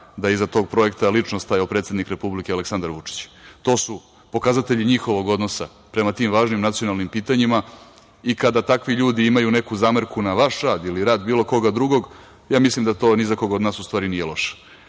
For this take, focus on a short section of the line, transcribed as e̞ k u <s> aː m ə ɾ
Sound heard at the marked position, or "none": z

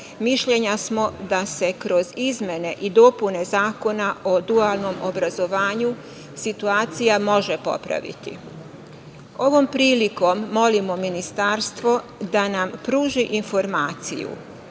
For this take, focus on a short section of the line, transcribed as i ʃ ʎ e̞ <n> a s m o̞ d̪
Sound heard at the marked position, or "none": ɲ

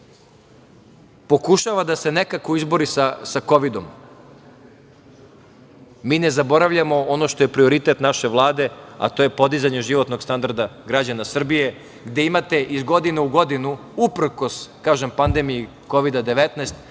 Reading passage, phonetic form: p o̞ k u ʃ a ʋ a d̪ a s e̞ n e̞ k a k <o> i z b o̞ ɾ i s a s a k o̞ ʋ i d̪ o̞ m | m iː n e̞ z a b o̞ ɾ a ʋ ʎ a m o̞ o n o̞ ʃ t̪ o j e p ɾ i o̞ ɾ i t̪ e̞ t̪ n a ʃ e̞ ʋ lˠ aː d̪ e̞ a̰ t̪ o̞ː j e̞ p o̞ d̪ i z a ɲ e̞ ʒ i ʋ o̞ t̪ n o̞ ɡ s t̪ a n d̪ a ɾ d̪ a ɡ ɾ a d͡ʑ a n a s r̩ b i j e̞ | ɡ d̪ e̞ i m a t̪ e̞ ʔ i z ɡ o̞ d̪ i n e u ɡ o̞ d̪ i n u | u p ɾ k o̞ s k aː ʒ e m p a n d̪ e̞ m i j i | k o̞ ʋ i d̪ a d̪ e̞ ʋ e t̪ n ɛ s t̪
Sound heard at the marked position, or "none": o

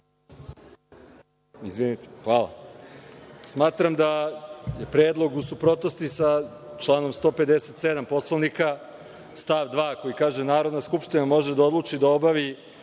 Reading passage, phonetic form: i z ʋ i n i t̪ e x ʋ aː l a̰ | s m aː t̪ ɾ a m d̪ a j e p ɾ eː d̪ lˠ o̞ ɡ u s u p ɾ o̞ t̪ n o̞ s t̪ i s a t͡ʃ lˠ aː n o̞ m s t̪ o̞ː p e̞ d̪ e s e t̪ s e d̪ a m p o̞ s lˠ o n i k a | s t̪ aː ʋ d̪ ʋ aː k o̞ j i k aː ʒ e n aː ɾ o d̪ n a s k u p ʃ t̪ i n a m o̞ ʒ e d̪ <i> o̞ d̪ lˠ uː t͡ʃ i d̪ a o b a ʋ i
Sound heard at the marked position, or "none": a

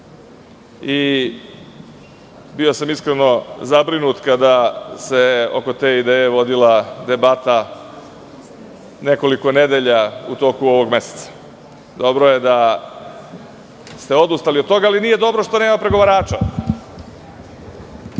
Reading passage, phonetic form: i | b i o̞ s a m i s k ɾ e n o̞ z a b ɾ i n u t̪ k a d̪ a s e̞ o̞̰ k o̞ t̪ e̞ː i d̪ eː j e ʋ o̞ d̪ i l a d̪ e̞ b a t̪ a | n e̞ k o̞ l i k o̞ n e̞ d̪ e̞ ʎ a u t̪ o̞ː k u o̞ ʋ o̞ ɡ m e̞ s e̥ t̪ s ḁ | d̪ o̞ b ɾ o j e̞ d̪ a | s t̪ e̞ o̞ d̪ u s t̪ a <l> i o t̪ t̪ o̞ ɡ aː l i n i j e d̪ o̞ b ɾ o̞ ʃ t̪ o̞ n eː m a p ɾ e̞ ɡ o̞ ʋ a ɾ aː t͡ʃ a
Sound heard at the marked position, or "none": l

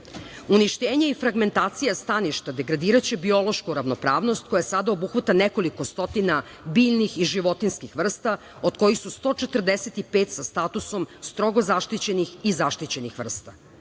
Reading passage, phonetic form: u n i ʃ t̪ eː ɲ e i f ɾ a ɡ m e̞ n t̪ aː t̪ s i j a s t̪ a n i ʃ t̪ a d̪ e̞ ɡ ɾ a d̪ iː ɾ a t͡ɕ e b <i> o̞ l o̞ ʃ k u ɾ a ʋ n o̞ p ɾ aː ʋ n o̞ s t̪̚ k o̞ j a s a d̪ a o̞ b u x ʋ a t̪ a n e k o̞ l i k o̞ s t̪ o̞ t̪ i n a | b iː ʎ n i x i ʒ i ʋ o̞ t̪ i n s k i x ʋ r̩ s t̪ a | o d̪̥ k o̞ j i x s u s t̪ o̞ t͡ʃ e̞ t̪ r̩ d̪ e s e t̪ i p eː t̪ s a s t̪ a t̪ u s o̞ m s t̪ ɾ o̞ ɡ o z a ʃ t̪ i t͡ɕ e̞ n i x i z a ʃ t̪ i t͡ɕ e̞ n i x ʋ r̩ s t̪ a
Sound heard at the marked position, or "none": i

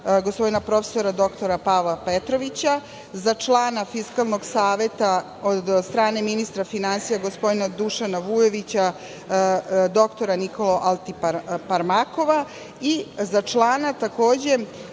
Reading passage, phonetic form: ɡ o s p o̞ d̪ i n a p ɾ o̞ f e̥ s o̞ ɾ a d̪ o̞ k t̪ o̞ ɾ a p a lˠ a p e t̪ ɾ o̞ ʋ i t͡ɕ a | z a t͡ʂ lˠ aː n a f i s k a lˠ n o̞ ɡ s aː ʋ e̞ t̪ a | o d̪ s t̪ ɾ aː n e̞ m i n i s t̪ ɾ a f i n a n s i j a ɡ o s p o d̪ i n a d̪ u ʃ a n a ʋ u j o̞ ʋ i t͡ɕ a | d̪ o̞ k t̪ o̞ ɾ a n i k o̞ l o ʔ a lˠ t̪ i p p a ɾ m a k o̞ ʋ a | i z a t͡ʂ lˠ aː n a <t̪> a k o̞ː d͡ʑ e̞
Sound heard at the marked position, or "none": t̪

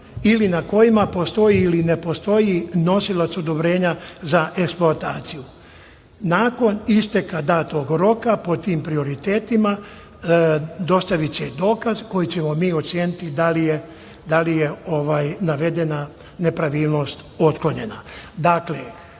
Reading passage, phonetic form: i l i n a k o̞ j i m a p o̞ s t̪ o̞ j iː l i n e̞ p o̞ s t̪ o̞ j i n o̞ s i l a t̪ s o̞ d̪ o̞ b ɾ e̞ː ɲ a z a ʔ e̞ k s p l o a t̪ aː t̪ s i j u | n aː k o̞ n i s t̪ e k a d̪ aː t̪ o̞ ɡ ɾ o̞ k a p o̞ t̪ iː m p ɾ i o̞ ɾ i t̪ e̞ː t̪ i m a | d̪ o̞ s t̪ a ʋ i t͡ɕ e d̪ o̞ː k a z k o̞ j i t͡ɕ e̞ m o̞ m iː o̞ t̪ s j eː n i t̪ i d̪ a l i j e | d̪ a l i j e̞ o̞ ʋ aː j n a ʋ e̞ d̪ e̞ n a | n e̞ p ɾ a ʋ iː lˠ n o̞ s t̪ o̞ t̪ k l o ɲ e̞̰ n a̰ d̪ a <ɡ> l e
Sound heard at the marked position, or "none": k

